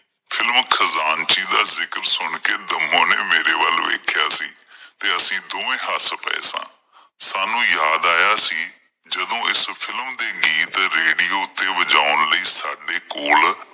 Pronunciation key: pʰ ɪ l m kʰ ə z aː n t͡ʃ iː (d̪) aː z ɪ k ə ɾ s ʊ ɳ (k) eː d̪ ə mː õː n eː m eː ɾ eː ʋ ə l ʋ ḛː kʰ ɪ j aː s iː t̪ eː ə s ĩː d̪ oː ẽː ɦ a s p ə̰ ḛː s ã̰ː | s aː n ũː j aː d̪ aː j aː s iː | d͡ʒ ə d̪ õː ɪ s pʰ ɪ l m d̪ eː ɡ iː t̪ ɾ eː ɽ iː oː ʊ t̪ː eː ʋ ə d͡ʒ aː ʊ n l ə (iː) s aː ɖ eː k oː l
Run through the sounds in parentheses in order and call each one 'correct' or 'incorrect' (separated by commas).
correct, correct, correct